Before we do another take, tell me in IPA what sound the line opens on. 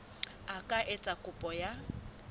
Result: a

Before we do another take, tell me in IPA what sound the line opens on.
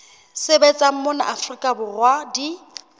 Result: s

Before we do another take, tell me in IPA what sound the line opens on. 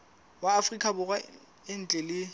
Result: w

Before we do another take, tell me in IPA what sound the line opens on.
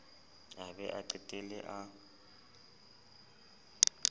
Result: a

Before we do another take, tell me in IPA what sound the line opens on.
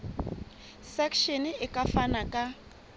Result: s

